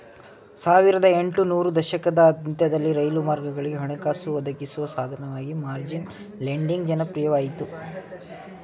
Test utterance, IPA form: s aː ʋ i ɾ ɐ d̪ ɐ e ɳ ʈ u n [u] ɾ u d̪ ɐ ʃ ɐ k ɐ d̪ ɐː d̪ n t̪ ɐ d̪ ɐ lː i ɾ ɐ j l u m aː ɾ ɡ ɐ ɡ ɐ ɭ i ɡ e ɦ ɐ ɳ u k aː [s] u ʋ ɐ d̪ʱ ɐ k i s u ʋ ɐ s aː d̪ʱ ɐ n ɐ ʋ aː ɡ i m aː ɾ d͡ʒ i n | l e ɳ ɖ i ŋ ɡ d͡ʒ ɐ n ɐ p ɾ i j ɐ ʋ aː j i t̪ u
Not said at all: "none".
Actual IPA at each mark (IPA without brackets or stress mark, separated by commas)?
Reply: uː, s